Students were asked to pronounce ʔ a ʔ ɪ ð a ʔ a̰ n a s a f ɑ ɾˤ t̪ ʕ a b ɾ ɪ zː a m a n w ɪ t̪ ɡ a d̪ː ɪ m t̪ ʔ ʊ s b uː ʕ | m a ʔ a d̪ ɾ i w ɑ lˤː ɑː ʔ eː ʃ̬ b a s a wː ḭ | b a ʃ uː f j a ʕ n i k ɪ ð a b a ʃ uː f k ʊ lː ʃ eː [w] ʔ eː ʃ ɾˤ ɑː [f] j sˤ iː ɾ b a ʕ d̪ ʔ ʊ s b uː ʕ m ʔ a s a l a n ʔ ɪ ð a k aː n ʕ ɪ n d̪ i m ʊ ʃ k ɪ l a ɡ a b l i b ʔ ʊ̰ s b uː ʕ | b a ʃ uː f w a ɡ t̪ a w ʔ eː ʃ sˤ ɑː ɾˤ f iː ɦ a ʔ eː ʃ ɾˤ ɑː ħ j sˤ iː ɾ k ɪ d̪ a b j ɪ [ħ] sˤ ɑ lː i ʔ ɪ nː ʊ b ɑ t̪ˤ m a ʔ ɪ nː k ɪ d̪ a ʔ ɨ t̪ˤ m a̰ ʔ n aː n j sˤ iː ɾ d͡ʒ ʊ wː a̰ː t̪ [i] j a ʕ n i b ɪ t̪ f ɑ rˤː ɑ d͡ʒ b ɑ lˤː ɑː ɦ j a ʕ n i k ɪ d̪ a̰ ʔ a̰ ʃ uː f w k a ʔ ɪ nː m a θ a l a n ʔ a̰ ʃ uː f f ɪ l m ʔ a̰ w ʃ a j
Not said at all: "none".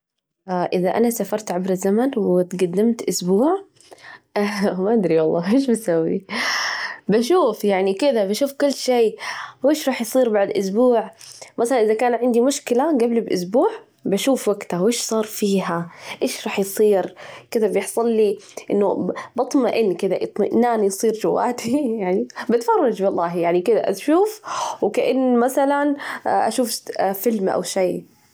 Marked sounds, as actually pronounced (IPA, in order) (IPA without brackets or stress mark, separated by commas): w, ħ, ħ, i